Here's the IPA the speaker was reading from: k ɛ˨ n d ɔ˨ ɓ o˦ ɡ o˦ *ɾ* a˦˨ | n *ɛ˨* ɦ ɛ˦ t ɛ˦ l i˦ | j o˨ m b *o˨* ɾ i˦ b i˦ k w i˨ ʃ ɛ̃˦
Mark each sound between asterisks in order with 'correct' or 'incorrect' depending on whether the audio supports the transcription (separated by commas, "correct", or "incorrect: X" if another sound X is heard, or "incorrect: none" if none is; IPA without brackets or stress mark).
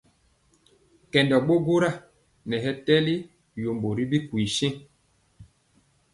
correct, correct, correct